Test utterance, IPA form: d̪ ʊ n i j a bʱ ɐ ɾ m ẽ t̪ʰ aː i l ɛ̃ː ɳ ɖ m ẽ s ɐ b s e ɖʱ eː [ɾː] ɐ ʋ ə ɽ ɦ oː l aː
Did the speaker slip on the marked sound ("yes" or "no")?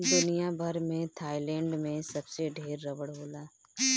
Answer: no